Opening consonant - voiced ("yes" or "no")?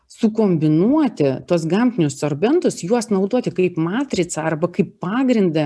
no